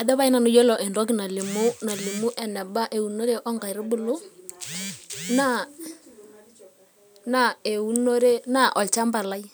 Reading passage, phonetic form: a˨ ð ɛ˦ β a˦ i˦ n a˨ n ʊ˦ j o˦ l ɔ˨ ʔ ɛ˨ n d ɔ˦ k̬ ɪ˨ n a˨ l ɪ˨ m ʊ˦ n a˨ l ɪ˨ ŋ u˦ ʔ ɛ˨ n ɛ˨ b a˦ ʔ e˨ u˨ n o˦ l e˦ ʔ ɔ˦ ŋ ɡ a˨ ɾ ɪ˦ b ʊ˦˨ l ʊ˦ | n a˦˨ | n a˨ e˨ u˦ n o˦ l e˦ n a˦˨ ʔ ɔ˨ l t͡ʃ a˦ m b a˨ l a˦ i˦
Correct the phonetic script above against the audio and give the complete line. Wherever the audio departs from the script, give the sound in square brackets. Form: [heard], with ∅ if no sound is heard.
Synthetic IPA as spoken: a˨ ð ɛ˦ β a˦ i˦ n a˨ n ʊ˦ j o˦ l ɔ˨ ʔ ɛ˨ n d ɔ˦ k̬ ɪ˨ n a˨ l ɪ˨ m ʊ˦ n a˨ l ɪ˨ [m] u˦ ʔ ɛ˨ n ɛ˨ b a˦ ʔ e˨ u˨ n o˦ [ɾ] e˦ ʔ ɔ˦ ŋ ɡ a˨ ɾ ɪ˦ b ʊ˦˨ l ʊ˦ | n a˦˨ | n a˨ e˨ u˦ n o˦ [ɾ] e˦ n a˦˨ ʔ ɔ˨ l t͡ʃ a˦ m b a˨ l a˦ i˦